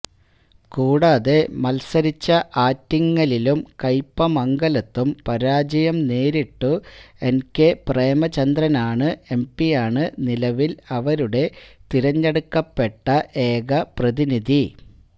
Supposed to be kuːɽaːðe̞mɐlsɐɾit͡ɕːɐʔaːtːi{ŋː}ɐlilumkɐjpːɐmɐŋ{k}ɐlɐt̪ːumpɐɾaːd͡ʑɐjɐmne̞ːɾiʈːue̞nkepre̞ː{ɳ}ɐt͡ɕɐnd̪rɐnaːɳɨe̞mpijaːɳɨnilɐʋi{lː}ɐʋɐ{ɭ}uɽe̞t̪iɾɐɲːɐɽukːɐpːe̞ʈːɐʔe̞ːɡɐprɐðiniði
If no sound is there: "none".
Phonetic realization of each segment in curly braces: ŋː, ɡ, m, l, ɾ

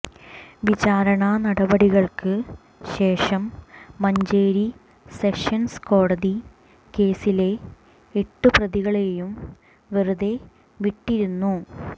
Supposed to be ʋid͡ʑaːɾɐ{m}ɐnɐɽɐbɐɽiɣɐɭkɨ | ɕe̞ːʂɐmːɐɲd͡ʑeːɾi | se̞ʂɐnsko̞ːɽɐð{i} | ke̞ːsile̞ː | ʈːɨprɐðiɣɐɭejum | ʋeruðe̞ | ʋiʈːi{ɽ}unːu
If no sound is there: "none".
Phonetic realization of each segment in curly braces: ɳ, i, ɾ

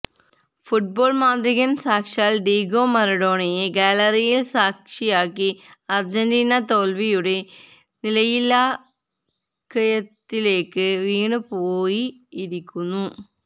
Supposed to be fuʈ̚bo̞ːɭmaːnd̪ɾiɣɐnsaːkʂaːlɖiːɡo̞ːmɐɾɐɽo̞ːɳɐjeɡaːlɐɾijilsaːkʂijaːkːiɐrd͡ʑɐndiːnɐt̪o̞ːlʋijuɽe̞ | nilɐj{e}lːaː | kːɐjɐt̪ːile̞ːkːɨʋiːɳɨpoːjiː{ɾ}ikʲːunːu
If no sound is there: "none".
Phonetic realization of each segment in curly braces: i, ɾ

